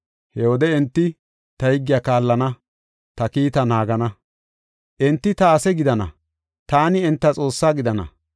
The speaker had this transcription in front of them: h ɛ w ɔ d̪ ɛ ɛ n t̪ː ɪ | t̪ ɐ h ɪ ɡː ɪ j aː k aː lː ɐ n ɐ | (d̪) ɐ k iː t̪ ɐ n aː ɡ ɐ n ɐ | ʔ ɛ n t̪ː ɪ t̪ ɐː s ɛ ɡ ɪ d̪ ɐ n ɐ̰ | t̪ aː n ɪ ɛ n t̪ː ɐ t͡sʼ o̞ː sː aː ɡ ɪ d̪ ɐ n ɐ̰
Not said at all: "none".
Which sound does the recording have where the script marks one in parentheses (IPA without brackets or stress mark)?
t̪